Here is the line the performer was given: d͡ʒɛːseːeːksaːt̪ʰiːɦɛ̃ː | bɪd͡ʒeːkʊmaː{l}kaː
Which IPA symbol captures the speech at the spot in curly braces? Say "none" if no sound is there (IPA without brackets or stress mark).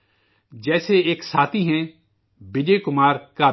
ɾ